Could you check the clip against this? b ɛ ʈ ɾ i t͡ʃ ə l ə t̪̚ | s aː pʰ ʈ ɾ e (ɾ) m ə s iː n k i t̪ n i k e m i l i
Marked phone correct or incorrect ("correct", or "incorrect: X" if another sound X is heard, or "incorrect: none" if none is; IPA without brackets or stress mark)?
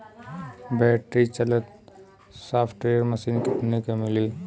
correct